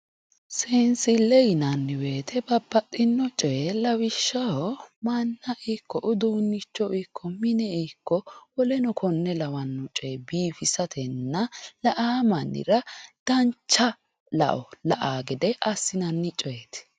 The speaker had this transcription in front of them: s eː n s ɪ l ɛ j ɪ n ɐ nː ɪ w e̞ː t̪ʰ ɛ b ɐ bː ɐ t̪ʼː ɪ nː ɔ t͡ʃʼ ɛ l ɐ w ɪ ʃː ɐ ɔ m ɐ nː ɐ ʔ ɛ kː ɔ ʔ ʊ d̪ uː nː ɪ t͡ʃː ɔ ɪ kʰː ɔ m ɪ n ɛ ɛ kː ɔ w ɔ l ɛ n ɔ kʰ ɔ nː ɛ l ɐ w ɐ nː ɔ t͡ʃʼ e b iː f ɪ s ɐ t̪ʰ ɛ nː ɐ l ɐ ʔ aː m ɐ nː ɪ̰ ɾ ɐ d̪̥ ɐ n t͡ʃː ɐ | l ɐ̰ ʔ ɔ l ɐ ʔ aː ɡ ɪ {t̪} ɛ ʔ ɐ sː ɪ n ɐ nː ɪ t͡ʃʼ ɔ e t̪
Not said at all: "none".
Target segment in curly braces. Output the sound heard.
d̪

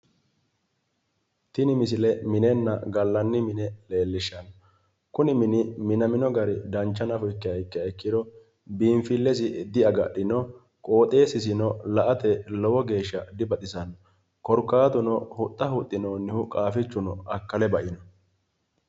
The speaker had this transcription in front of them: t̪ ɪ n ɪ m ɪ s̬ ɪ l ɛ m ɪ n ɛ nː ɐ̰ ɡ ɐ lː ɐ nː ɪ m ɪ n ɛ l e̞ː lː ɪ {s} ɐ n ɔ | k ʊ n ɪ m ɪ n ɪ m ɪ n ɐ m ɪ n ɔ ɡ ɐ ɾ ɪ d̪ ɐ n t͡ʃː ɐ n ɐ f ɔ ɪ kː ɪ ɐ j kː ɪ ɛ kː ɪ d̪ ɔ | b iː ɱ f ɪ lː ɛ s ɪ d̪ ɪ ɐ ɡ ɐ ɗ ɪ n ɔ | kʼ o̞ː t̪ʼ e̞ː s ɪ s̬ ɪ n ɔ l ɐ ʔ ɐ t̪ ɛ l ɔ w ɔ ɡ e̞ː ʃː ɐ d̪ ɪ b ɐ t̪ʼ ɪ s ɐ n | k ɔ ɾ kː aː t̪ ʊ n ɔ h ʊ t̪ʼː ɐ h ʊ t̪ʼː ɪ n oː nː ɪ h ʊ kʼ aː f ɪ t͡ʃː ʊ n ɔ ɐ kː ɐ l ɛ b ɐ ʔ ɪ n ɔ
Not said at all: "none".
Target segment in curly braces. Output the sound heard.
ʃ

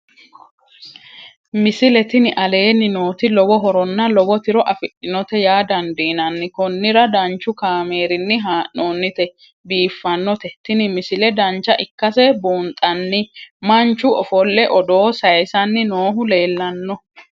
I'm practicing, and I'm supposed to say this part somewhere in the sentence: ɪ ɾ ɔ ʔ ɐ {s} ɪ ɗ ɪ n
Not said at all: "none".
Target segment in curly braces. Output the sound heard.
f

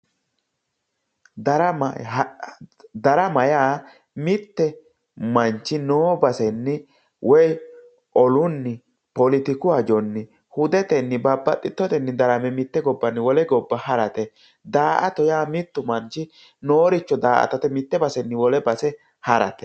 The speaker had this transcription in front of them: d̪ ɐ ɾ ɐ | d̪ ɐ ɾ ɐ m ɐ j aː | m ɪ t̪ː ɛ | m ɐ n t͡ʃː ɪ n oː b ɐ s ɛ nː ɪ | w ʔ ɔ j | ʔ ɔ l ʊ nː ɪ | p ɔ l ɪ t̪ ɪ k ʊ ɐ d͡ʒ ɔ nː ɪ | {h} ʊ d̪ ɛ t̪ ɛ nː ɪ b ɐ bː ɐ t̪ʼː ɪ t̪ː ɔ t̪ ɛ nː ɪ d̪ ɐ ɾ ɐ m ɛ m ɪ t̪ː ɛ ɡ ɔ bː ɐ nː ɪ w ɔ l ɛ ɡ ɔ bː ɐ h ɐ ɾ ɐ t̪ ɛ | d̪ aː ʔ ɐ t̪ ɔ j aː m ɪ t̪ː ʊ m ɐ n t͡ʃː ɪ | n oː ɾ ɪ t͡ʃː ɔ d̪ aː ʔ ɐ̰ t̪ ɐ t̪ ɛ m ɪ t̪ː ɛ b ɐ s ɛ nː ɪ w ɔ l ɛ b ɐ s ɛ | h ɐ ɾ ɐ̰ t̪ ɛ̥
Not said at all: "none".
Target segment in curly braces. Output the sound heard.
h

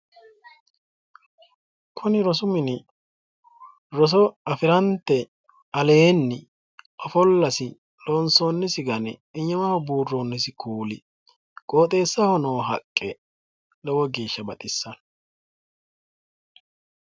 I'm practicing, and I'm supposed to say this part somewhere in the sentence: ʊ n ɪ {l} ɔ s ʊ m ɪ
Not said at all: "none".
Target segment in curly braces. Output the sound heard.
ɾ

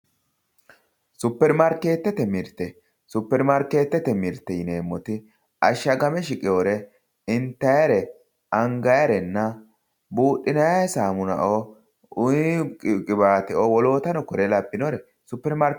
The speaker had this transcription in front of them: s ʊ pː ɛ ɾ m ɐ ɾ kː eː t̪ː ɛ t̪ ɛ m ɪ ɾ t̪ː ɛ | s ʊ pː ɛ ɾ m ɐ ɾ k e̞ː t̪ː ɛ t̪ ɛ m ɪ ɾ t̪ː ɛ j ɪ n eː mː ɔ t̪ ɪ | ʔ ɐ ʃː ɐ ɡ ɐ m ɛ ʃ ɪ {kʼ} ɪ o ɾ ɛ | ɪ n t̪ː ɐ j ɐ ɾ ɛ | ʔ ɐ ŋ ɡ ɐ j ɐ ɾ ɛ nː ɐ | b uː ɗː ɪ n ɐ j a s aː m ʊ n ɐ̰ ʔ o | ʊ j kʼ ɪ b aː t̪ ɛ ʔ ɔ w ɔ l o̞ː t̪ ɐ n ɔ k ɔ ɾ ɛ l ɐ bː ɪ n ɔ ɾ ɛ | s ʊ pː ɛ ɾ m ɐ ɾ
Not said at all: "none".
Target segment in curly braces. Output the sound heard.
kʼ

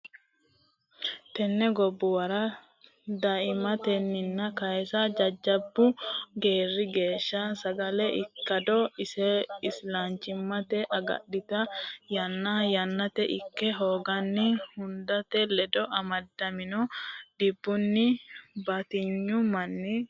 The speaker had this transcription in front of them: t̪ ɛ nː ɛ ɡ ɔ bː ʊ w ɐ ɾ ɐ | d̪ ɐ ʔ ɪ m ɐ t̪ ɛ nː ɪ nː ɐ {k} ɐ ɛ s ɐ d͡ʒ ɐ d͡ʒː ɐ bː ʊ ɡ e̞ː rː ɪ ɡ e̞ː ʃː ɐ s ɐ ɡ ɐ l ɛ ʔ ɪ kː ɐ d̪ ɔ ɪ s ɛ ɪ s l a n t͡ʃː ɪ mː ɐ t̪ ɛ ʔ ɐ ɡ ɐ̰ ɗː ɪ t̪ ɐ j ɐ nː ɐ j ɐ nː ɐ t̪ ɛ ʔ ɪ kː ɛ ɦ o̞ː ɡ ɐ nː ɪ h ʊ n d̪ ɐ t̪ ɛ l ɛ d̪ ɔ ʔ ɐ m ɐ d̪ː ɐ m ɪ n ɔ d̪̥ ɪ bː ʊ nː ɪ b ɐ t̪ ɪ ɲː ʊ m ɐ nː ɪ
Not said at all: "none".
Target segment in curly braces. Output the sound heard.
k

